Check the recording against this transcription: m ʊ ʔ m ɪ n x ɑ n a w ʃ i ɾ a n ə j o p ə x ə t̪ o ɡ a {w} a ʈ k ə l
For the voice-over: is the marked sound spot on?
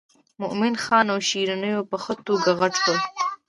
no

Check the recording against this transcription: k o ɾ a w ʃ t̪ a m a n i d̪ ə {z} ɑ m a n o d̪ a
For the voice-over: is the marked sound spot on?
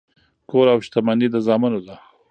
yes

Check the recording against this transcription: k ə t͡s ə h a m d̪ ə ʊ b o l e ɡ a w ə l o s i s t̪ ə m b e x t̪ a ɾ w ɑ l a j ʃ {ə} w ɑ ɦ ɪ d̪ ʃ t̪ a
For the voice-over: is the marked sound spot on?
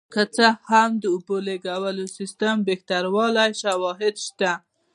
no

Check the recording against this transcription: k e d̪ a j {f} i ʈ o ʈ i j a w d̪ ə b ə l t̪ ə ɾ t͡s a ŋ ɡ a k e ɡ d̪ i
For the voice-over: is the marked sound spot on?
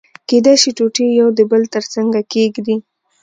no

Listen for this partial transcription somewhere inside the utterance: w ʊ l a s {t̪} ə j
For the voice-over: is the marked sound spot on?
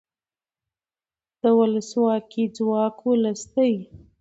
yes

